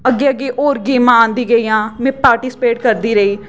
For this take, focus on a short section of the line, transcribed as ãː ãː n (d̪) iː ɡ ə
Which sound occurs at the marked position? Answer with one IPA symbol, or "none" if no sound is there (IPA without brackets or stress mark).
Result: d̪